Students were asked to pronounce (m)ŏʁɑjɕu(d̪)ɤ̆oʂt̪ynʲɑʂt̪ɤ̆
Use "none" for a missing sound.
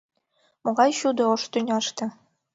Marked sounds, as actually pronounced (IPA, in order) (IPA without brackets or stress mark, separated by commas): m, d̪